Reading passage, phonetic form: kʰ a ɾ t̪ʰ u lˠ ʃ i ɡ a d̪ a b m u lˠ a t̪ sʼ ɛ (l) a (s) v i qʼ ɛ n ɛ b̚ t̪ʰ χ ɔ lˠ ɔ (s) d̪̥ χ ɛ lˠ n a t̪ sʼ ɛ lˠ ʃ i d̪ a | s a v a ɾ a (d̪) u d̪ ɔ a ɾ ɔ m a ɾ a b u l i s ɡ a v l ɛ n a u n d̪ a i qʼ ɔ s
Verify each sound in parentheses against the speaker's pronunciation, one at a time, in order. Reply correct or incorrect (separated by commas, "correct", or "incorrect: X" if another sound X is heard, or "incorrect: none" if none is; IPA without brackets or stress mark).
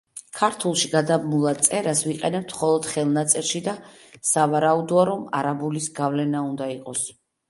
incorrect: ɾ, correct, incorrect: none, incorrect: none